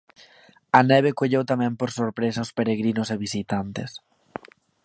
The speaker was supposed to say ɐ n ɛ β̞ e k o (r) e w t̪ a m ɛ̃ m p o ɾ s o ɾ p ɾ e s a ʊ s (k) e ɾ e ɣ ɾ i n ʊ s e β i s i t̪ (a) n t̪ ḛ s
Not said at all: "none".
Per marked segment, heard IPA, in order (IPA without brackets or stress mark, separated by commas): ʎ, p, a